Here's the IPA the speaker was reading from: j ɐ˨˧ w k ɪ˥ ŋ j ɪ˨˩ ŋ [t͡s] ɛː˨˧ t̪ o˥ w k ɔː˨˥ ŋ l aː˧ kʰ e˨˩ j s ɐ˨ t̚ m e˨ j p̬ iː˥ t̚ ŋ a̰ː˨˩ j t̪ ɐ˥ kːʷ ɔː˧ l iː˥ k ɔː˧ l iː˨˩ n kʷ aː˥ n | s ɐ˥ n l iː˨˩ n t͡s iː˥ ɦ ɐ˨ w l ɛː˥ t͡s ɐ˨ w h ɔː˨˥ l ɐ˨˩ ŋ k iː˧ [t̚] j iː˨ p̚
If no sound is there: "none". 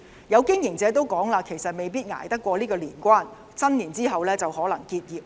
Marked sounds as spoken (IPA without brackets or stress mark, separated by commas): t͡s, t̚